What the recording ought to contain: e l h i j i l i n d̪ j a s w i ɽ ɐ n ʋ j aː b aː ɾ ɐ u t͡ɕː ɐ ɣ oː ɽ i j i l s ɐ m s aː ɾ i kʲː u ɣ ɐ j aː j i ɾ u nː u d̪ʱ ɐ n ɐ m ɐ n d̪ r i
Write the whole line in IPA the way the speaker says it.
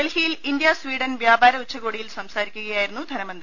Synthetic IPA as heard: e l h i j i l i n d̪ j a s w iː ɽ ɐ n ʋ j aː b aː ɾ ɐ u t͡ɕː ɐ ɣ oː ɽ i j i l s ɐ m s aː ɾ i kʲː u ɣ ɐ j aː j i ɾ u nː u d̪ʱ ɐ n ɐ m ɐ n d̪ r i